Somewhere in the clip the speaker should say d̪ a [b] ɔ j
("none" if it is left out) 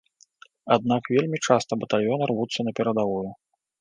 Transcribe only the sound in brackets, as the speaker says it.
v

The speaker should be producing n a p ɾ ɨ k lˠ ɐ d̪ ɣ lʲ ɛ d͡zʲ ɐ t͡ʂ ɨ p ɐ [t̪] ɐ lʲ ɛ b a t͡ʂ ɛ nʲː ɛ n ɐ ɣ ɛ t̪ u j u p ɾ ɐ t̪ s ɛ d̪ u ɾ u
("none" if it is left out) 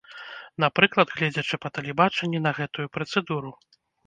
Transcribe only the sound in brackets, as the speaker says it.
t̪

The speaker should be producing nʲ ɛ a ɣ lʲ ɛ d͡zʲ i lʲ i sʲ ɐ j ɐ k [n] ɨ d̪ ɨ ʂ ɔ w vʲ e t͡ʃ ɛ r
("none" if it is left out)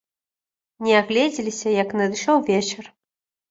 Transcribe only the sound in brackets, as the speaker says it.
n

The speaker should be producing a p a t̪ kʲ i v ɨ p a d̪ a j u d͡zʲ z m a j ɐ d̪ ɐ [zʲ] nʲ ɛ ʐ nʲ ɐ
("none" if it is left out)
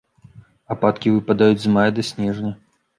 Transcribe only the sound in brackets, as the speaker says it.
sʲ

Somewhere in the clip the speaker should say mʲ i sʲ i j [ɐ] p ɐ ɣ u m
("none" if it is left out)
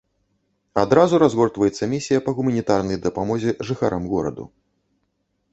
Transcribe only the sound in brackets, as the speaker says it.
ɐ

